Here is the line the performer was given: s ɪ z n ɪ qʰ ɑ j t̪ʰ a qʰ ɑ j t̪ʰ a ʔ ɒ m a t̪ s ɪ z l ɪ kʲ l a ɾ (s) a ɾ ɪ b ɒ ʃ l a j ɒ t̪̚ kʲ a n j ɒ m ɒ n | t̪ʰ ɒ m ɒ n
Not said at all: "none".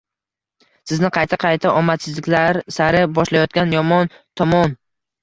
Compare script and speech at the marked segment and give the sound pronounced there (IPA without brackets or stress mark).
s